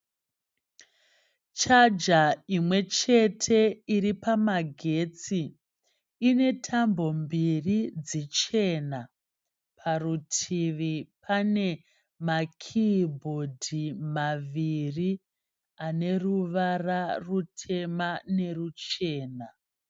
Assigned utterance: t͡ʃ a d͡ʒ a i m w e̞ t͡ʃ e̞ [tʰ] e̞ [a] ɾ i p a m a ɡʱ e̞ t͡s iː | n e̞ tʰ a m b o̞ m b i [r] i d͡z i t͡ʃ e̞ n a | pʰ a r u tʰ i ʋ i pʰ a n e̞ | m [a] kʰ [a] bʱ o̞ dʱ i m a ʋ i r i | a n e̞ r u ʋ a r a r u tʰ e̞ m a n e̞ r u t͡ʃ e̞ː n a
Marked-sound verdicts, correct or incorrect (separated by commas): correct, incorrect, correct, correct, incorrect